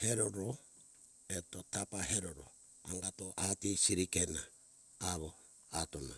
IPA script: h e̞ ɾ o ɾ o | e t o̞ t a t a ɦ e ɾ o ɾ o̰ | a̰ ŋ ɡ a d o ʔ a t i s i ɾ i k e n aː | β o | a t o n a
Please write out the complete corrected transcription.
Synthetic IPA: h e̞ ɾ o ɾ o | e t o̞ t a p a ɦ e ɾ o ɾ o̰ | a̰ ŋ ɡ a t o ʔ a t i s i ɾ i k e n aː | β o | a t o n a

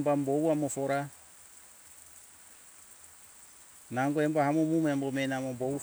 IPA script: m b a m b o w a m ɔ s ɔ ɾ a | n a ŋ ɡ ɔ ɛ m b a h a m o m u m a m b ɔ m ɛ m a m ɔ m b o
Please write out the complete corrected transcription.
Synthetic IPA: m b a m b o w a m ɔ f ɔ ɾ a | n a ŋ ɡ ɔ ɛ m b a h a m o m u m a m b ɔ m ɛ n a m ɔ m b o

